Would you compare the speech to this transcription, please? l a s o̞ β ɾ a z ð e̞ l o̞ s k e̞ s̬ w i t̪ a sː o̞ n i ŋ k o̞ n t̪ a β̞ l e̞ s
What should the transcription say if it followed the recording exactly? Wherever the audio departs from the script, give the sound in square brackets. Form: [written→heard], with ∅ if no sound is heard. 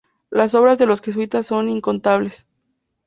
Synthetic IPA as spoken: l a s o̞ β ɾ a z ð e̞ l o̞ s [k→x] e̞ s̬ w i t̪ a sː o̞ n i ŋ k o̞ n t̪ a β̞ l e̞ s